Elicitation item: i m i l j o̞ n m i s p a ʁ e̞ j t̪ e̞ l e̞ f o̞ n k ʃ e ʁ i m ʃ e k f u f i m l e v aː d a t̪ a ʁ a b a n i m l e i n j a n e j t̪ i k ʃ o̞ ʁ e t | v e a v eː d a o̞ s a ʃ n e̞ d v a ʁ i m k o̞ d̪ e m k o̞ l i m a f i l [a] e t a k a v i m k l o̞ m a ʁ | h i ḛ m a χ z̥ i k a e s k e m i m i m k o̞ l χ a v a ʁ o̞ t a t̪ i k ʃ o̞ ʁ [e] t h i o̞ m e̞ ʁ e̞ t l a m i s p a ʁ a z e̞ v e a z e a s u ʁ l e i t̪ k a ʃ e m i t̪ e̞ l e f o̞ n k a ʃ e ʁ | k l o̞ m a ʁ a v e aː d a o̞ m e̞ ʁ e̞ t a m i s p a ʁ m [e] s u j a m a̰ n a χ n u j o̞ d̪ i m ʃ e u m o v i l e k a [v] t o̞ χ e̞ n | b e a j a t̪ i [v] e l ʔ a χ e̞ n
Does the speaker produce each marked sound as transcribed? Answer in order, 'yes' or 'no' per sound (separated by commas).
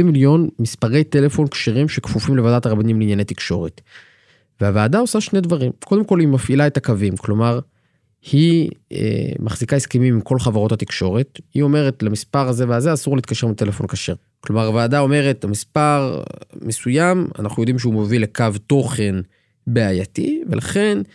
yes, yes, yes, yes, yes